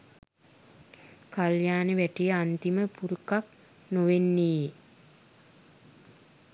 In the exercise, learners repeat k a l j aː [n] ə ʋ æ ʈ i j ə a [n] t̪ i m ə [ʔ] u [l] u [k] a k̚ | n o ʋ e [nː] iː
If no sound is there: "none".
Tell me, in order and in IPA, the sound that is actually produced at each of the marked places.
n, n, p, ɾ, k, nː

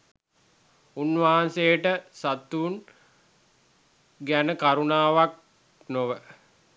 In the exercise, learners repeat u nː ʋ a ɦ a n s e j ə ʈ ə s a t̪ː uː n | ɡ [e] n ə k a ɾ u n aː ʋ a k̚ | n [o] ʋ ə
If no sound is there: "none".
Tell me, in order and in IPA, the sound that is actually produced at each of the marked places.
æ, o

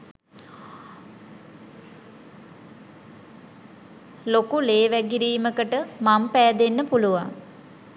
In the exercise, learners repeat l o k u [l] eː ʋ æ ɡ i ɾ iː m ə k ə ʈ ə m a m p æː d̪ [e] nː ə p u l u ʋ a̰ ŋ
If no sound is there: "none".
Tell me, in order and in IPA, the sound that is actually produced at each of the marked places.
l, e

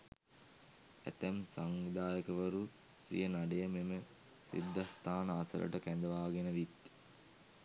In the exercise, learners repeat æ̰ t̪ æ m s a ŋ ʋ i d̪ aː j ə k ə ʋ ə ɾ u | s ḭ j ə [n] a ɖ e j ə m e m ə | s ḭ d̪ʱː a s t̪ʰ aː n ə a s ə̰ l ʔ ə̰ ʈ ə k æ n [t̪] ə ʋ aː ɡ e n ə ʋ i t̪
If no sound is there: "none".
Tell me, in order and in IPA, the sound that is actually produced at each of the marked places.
n, d̪

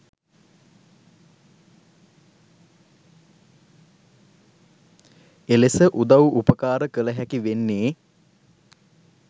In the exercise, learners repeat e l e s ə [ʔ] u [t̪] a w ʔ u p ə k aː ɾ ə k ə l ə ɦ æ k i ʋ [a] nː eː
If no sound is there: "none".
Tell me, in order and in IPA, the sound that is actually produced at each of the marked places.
ʔ, d̪, e

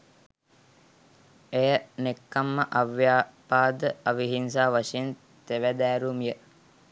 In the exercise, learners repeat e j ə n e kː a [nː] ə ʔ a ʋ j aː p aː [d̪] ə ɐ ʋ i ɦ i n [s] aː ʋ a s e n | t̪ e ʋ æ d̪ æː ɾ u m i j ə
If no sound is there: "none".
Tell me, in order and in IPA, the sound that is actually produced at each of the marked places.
mː, d̪, s

